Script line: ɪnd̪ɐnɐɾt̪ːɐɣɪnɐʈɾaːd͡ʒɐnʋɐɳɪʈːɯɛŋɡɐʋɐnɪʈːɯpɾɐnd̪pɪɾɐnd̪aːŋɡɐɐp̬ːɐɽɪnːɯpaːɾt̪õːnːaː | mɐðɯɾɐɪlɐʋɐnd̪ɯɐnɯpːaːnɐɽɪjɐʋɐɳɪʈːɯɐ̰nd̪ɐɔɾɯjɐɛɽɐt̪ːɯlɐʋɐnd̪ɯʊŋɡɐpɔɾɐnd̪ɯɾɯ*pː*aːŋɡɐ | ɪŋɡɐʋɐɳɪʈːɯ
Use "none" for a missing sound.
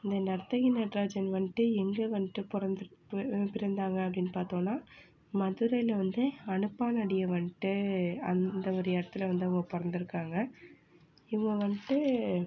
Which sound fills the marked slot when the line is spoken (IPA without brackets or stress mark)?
kː